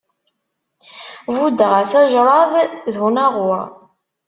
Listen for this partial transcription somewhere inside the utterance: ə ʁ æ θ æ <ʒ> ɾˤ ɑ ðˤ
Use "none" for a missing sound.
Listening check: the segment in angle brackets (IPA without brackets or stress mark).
ʒ